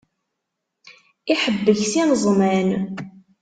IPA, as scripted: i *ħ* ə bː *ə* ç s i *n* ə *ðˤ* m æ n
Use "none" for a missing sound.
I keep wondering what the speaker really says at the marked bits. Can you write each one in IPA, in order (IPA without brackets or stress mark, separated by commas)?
ħ, ə, n, zˤ